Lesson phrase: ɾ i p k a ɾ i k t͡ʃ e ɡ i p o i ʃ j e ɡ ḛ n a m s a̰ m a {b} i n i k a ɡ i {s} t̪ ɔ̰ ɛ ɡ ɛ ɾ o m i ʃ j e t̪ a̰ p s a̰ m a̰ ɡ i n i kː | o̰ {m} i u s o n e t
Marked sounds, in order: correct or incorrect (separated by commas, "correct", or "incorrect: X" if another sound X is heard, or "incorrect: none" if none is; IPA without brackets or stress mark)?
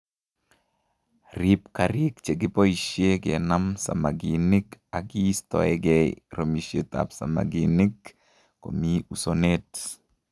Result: incorrect: ɡ, correct, correct